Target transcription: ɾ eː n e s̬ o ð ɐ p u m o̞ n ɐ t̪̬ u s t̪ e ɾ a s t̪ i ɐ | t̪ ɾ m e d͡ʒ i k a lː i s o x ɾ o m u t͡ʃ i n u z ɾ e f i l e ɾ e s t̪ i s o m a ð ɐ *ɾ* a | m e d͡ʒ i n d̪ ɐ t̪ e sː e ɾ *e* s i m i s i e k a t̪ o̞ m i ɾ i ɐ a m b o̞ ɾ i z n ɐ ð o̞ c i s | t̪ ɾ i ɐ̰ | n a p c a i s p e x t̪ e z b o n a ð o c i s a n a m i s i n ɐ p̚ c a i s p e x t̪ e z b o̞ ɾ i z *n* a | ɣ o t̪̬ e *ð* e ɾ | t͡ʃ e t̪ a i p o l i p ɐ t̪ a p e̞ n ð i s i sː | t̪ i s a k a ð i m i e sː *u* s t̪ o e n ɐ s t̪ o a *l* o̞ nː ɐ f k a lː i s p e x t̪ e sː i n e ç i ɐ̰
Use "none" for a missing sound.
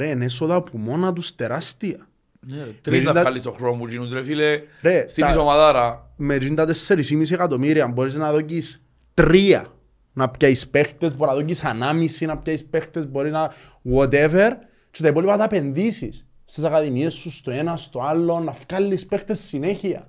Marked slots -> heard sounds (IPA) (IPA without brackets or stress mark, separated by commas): ɾ, i, n, v, u, lː